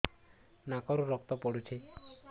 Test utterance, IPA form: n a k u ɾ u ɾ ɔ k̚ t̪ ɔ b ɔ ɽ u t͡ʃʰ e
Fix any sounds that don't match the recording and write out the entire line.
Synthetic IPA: n a k ɔ ɾ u ɾ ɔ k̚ t̪ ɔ p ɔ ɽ u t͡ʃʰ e